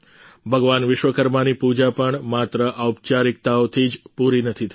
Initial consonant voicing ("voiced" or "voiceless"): voiced